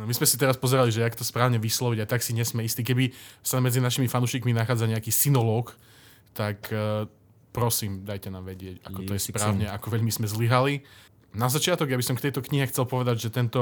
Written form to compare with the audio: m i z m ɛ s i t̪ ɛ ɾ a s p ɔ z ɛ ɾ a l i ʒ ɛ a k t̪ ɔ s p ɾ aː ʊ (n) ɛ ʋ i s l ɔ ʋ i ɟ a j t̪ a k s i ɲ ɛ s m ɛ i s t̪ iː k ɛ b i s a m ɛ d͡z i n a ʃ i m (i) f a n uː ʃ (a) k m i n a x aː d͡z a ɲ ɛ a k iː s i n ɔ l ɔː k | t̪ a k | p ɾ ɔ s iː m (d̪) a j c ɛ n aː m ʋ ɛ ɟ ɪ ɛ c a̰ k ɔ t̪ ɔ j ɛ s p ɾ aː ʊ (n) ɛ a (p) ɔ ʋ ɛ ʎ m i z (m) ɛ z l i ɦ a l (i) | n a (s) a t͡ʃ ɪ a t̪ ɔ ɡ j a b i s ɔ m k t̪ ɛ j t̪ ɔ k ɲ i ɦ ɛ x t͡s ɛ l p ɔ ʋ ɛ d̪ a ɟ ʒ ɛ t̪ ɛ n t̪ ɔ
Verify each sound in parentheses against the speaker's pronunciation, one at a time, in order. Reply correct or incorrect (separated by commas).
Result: incorrect, correct, incorrect, correct, incorrect, incorrect, correct, correct, incorrect